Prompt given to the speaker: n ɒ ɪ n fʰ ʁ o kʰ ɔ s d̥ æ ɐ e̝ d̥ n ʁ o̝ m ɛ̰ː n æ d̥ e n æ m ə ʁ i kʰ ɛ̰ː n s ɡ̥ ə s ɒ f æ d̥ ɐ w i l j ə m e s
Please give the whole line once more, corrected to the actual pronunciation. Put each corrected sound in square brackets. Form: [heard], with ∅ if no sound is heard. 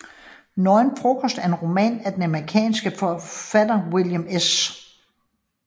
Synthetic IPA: n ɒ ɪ n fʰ ʁ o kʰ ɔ s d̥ æ ɐ e̝ [∅] n ʁ o̝ m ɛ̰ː n æ d̥ e n æ m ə ʁ i kʰ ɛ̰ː n s ɡ̥ ə [f] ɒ f æ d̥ ɐ w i l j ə m e s